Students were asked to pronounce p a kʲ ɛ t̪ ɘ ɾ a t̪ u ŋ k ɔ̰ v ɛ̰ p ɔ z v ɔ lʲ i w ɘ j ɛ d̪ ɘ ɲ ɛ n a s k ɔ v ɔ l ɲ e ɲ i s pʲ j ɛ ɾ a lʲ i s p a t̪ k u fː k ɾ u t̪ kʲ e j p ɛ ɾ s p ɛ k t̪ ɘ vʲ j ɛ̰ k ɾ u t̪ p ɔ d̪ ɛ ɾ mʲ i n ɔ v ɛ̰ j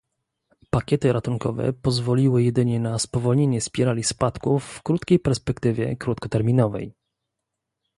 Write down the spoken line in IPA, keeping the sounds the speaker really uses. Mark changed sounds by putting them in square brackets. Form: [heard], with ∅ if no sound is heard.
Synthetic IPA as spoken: p a kʲ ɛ t̪ ɘ ɾ a t̪ u ŋ k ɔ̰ v ɛ̰ p ɔ z v ɔ lʲ i w ɘ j ɛ d̪ ɘ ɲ ɛ n a s [p] ɔ v ɔ l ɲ e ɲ [ɛ] s pʲ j ɛ ɾ a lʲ i s p a t̪ k u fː k ɾ u t̪ kʲ e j p ɛ ɾ s p ɛ k t̪ ɘ vʲ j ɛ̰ k ɾ u t̪ [k] ɔ [t̪] ɛ ɾ mʲ i n ɔ v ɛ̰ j